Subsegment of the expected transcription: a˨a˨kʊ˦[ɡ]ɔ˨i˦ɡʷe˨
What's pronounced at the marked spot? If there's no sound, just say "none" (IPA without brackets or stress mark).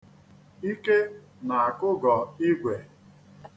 ɡ